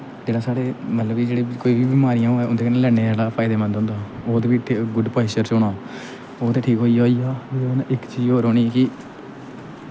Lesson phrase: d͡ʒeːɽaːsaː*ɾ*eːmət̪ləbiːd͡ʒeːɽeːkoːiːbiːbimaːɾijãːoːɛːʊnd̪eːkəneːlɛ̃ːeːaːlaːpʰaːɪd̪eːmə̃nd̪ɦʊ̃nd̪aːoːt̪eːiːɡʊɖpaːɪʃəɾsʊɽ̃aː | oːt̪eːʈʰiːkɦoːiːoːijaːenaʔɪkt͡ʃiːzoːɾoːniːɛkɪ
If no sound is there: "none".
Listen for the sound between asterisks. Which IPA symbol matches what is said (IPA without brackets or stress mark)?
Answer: ɽ